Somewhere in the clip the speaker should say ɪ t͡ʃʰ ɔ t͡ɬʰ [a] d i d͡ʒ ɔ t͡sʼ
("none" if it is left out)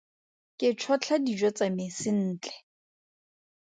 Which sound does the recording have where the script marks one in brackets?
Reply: a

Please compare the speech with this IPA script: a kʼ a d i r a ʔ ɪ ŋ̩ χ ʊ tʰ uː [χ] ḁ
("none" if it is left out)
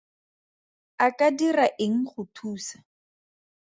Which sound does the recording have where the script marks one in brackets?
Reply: s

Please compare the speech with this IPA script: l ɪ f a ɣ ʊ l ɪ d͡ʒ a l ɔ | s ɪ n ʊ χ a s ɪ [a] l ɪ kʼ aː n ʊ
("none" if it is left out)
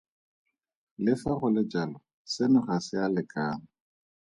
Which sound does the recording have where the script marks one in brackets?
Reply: a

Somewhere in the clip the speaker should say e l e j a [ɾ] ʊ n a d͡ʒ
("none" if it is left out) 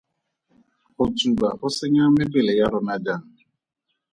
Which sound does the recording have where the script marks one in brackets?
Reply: ɾ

